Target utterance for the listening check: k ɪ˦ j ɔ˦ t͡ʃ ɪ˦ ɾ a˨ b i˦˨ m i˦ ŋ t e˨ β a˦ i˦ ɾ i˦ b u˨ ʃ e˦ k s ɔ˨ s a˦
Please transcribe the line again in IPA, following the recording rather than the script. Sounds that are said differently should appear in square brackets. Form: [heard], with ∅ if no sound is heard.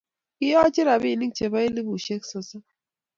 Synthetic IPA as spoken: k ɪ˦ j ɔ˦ t͡ʃ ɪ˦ ɾ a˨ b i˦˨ [n] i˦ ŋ [t͡ʃ] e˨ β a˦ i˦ [l] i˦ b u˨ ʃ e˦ k s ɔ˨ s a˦